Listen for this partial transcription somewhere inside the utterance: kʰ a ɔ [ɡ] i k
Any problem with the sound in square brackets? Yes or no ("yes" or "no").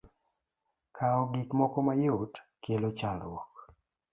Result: no